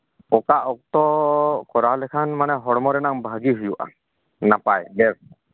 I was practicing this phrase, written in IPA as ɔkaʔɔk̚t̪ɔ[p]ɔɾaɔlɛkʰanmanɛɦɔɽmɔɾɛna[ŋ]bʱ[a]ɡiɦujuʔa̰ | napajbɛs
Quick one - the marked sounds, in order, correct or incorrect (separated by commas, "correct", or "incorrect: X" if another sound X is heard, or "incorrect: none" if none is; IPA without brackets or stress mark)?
incorrect: k, correct, correct